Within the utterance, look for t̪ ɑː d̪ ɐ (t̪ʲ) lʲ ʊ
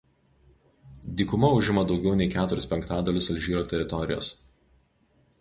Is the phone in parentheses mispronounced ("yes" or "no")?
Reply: yes